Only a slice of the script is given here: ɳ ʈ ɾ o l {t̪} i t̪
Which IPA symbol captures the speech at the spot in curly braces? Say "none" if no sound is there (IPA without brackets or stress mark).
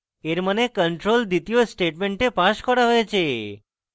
d̪